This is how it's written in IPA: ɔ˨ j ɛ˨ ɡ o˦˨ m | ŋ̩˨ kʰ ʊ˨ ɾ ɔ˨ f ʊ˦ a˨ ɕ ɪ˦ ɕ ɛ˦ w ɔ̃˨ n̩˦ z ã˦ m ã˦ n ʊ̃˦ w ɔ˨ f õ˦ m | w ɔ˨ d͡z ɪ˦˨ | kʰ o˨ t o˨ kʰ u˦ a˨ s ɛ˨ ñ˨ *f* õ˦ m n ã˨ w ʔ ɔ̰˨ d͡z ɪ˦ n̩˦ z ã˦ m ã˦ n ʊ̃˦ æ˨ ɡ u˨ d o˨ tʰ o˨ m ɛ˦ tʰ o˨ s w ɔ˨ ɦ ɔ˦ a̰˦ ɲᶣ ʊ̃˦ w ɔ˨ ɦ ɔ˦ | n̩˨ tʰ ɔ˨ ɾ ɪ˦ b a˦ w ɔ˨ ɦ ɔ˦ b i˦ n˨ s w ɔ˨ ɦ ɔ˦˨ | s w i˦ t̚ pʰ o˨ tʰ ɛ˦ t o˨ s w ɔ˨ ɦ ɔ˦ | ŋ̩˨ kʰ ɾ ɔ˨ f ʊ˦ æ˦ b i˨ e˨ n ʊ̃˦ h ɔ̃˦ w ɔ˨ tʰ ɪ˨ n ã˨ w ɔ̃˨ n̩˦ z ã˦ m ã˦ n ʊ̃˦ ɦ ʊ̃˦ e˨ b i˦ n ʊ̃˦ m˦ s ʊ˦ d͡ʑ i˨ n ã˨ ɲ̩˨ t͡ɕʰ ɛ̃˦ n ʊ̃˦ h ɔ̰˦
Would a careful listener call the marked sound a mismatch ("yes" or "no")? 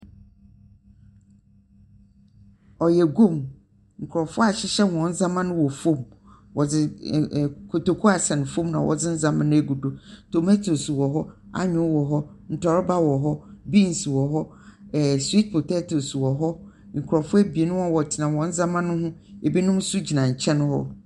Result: no